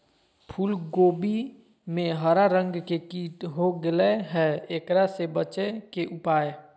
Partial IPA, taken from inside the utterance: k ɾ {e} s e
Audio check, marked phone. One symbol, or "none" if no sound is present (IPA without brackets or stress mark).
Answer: a